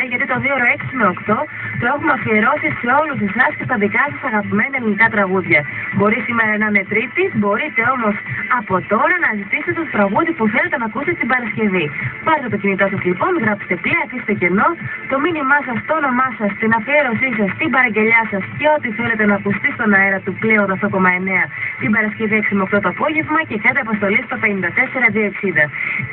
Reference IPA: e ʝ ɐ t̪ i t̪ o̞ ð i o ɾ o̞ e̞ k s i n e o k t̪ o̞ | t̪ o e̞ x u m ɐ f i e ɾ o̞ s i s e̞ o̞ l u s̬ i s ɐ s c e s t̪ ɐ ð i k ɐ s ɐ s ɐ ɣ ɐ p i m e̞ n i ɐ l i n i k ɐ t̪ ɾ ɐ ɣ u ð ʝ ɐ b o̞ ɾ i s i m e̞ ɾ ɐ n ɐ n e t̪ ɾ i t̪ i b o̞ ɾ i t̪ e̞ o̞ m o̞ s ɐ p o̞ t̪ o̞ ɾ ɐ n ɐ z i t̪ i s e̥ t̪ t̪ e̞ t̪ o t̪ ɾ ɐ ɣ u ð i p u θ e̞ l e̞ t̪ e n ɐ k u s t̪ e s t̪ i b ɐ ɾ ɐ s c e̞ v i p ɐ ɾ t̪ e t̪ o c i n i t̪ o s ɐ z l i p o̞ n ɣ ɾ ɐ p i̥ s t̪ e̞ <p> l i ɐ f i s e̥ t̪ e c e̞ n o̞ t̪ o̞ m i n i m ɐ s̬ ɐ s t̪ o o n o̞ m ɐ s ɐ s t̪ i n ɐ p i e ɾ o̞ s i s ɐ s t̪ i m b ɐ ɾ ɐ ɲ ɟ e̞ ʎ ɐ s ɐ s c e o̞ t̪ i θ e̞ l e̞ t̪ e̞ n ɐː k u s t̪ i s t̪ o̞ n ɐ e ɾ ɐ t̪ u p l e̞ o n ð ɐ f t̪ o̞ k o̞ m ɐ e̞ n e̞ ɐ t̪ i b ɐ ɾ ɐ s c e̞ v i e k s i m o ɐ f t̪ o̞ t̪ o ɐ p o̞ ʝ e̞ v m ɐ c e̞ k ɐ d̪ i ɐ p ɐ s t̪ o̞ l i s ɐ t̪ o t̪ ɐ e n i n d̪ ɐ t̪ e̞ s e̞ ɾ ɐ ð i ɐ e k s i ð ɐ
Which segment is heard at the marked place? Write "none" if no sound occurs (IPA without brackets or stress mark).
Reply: p